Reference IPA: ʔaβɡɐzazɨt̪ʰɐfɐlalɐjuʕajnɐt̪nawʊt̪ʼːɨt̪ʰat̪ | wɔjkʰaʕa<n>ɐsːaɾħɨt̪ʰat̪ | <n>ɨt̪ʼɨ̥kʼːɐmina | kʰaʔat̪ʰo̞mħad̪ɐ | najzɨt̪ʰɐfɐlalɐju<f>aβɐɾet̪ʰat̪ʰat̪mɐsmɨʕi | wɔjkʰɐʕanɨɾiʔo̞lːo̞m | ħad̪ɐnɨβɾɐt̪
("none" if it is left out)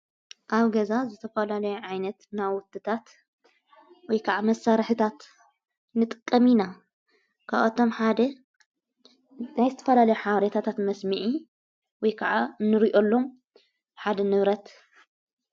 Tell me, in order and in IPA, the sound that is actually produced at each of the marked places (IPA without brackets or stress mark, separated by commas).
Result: m, n, ħ